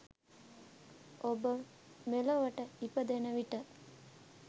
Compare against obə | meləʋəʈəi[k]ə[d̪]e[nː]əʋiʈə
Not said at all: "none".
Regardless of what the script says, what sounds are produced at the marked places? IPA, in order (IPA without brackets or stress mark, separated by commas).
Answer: p, d̪, n